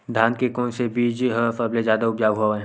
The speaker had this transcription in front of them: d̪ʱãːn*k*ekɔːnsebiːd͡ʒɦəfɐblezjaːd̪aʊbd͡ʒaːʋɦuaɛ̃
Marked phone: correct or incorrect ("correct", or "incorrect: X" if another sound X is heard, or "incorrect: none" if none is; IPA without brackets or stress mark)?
correct